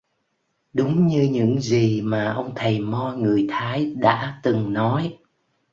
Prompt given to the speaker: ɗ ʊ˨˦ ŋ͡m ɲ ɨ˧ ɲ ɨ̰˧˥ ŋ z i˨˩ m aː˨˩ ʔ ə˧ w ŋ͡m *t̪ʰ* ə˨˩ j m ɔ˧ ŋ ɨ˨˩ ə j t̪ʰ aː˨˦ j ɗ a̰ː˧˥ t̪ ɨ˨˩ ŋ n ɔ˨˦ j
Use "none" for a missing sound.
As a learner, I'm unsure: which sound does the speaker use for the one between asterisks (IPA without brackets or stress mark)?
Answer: t̪ʰ